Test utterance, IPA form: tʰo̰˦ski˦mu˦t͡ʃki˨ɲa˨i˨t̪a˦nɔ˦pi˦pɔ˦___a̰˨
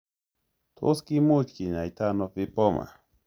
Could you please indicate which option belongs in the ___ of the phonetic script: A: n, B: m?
B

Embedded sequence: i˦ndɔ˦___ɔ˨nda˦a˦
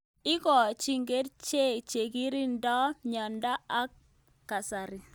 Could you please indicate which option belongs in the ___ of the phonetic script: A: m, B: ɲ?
B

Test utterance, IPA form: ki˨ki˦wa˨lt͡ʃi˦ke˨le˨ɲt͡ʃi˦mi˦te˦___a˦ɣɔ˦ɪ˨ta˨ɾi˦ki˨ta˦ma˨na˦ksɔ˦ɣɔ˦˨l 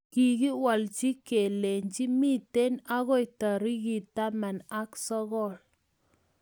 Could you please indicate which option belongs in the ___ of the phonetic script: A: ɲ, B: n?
B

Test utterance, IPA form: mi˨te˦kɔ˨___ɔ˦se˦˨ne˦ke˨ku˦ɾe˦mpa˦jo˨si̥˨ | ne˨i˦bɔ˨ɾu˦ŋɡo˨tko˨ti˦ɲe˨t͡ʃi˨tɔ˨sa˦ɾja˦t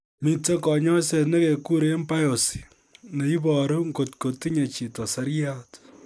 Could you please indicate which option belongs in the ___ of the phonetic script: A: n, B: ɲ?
B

